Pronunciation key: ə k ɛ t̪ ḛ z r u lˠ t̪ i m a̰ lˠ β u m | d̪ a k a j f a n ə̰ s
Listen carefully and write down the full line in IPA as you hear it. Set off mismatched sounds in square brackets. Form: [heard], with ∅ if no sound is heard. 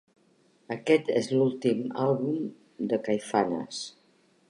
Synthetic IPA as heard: ə k ɛ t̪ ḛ z [l] u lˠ t̪ i m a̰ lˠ β u m | d̪ [ə] k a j f a n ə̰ s